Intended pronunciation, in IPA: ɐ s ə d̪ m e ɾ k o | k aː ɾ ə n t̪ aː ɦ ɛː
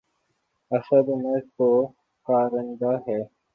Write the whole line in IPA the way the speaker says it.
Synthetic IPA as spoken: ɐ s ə d̪ m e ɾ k o | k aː ɾ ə n d̪ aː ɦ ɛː